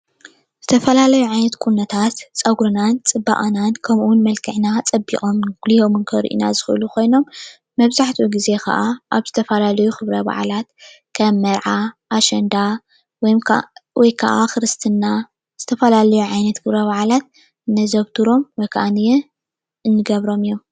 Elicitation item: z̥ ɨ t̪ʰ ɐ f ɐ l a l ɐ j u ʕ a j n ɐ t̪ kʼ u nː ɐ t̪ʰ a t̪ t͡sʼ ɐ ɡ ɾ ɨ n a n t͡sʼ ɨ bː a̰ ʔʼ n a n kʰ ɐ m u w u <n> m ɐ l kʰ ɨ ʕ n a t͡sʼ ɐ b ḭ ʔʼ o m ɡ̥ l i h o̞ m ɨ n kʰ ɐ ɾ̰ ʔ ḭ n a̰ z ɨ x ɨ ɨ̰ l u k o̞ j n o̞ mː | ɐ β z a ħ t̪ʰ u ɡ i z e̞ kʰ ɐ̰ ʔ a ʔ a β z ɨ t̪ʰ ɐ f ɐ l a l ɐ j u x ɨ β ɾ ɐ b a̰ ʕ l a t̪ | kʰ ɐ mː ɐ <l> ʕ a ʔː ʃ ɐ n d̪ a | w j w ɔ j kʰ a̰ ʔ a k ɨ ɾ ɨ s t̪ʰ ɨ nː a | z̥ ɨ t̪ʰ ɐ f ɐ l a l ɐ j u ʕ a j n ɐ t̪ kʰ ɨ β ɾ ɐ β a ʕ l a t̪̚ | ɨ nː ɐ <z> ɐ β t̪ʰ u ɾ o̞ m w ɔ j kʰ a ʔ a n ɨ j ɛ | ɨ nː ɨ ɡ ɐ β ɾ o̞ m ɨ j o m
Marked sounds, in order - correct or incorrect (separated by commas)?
correct, incorrect, correct